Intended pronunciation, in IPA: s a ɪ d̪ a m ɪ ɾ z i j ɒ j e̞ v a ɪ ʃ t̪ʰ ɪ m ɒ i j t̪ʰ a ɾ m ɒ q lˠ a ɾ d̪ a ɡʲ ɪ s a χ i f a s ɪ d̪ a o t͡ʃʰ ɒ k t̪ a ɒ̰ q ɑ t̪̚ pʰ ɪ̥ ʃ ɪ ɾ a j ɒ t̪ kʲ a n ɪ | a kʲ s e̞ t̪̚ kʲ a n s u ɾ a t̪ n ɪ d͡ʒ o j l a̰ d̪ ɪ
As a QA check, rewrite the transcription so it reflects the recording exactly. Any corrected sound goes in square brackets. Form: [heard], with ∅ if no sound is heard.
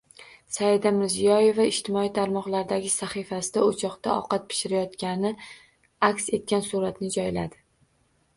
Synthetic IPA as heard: s a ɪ d̪ a m ɪ ɾ z i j ɒ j e̞ v a ɪ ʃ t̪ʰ ɪ m ɒ i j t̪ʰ a ɾ m ɒ q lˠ a ɾ d̪ a ɡʲ ɪ s a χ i f a s ɪ d̪ a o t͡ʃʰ ɒ [q] t̪ a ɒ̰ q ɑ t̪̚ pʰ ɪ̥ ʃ ɪ ɾ a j ɒ t̪ kʲ a n ɪ | a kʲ s e̞ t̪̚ kʲ a n s u ɾ a t̪ n ɪ d͡ʒ [ɒ] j l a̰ d̪ ɪ